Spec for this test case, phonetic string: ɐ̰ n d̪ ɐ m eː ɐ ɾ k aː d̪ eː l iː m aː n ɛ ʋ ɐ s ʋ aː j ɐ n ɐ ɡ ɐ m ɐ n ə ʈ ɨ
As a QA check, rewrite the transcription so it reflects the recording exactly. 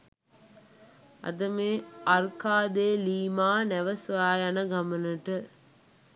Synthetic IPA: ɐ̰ d̪ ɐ m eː ɐ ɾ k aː d̪ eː l iː m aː n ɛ ʋ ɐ s ʋ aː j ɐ n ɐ ɡ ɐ m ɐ n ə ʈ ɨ

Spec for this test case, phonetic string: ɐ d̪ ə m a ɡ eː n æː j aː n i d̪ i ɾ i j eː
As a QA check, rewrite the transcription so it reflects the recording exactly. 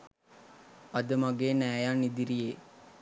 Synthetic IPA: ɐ d̪ ə m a ɡ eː n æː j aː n i d̪ i ɾ i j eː

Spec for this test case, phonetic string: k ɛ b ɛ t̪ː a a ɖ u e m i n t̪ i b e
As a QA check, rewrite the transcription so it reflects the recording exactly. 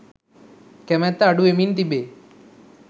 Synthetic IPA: k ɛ m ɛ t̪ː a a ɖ u e m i n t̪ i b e

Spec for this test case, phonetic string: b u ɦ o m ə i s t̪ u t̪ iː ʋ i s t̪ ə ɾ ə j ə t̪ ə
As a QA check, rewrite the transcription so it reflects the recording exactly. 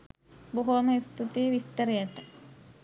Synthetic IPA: b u ɦ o m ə i s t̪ u t̪ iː ʋ i s t̪ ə ɾ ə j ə t̪ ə

